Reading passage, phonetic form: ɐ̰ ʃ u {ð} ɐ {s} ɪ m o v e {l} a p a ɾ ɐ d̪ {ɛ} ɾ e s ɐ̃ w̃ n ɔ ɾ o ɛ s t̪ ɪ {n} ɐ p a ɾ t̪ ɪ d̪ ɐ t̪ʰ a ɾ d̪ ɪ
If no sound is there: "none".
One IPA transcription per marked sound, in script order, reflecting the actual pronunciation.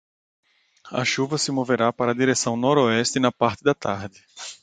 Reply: v, s, ɾ, i, n

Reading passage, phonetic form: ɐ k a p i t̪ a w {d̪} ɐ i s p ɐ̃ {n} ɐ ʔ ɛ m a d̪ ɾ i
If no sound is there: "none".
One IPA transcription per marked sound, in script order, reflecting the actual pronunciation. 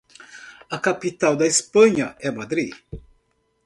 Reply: d̪, ɲ

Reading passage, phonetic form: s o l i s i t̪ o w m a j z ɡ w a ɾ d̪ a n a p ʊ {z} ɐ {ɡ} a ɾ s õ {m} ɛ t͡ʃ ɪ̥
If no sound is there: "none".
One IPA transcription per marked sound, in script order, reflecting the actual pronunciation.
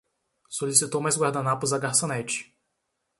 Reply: z, ɡ, n

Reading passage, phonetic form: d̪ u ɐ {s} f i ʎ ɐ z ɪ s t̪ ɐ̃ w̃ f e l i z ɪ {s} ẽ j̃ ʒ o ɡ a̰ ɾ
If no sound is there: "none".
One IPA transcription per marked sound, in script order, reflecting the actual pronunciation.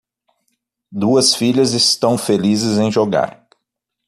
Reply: s, z

